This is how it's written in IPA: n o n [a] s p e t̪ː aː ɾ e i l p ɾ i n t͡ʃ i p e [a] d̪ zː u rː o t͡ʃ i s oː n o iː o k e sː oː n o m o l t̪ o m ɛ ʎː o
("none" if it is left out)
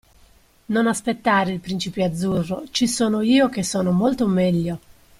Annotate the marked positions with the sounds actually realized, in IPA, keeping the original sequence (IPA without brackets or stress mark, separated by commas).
a, a